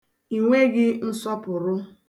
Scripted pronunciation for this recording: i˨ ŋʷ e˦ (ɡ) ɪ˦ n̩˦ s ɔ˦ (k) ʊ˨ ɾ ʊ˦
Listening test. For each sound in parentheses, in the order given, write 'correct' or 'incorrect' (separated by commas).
correct, incorrect